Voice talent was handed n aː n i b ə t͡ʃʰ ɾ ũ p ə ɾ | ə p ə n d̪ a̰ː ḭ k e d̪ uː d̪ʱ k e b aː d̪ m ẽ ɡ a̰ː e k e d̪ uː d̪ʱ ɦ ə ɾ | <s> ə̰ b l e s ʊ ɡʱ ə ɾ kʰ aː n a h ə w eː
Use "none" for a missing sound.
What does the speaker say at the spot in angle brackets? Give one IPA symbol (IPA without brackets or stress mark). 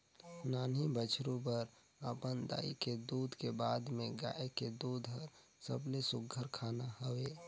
s